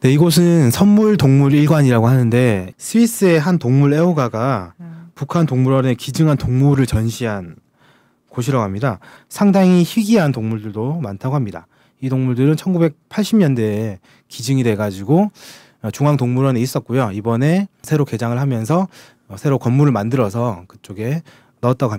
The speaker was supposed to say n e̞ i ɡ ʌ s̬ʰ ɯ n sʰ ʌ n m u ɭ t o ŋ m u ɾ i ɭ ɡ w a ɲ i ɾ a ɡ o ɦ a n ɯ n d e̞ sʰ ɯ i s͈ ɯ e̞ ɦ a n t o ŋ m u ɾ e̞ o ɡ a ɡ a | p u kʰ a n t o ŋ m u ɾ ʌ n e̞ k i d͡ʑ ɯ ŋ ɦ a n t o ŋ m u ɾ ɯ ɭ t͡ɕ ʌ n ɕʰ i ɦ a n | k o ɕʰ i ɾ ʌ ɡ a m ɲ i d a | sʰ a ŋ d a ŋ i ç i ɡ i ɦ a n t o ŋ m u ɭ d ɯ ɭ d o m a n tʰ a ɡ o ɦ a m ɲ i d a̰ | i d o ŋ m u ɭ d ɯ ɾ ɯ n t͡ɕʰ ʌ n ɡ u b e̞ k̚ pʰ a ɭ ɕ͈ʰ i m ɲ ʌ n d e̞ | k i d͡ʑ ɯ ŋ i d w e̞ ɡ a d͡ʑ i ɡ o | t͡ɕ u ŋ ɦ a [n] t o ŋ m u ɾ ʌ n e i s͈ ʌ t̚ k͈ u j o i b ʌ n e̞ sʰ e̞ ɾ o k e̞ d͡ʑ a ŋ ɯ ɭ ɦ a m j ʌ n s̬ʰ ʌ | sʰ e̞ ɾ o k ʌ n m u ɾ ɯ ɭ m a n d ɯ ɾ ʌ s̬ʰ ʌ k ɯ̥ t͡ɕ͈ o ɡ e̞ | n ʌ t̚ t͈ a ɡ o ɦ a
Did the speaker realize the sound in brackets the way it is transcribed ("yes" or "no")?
no